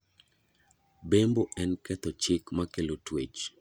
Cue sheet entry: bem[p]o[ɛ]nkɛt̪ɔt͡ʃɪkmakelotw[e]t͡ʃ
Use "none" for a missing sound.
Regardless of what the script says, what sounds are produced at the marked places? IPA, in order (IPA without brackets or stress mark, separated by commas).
b, ɛ, e